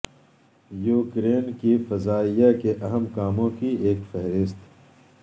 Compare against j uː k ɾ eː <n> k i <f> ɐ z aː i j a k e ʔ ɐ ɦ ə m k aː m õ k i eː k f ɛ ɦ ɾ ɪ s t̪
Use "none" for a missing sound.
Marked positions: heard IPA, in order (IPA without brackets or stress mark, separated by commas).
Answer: n, f